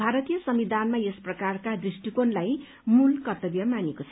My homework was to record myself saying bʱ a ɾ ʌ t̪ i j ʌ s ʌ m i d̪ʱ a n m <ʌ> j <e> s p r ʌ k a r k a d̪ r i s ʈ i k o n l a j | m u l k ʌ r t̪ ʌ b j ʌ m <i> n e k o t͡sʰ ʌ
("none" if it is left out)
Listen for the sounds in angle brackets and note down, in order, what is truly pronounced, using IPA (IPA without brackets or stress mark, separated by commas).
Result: a, e, a